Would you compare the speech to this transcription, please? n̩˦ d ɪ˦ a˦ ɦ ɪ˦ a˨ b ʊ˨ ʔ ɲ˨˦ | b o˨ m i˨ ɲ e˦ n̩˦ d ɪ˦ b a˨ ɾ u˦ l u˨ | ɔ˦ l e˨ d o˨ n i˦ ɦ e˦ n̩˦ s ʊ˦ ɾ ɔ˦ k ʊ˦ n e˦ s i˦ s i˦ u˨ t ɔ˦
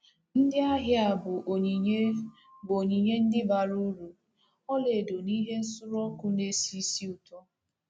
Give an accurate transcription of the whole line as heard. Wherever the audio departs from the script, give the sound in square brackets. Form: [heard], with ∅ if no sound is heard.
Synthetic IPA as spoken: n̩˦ d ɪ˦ a˦ ɦ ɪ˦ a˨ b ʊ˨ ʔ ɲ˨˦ | b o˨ [ɲ] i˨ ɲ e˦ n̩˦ d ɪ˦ b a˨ ɾ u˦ [ɾ] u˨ | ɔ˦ l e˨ d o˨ n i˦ ɦ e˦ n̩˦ s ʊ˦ ɾ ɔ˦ k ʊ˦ n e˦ s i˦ s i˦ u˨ t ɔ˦